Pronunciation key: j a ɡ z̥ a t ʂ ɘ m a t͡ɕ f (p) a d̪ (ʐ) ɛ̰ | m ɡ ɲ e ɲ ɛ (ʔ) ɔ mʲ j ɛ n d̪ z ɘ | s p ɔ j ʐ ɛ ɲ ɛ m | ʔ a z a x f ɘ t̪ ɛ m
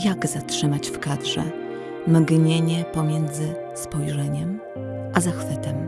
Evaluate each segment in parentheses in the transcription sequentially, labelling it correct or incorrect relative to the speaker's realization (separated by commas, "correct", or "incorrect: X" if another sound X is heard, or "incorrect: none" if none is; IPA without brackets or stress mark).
incorrect: k, correct, incorrect: p